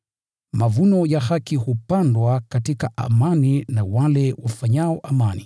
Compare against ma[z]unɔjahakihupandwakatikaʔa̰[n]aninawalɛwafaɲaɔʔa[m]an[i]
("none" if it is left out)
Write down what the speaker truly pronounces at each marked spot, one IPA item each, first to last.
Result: v, m, m, i

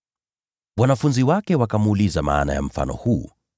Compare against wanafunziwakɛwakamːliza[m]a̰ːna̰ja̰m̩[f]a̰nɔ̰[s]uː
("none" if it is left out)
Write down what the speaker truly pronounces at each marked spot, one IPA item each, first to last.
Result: m, f, h

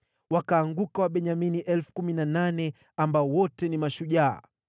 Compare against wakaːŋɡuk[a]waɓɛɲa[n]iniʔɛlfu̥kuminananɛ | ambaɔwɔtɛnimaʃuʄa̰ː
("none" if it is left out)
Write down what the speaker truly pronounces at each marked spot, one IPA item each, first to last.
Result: a, m

